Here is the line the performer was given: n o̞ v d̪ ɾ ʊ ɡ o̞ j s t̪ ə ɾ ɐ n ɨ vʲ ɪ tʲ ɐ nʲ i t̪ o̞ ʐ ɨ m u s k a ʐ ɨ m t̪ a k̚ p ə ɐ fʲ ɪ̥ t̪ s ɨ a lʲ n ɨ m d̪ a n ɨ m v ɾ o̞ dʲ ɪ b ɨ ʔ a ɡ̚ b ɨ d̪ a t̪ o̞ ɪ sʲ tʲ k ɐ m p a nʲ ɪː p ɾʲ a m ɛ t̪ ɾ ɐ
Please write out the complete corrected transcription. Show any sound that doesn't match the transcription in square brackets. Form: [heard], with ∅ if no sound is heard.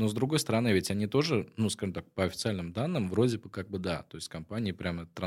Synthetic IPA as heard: n o̞ [z] d̪ ɾ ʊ ɡ o̞ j s t̪ ə ɾ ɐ n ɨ vʲ ɪ tʲ ɐ nʲ i t̪ o̞ ʐ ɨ [n] u s k a ʐ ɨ m t̪ a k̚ p ə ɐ fʲ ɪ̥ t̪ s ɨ a lʲ n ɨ m d̪ a [nː] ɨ m v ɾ o̞ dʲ ɪ b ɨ [k] a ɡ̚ b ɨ d̪ a t̪ o̞ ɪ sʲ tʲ k ɐ m p a nʲ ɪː p ɾʲ a m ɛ t̪ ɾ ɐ